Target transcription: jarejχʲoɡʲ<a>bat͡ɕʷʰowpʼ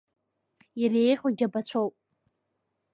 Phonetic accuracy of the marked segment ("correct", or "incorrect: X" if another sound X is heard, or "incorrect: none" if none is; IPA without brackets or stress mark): correct